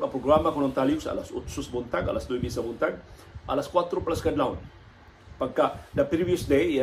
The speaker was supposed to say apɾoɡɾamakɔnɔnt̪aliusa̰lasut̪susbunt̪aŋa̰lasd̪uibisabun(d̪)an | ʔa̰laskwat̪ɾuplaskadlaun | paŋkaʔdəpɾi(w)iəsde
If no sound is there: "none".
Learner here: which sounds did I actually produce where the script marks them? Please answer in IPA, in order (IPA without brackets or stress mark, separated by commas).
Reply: t̪, v